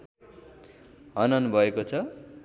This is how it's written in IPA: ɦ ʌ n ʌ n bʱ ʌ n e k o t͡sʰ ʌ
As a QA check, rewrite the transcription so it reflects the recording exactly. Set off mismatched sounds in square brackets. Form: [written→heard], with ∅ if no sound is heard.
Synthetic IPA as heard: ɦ ʌ n ʌ n bʱ ʌ [n→∅] e k o t͡sʰ ʌ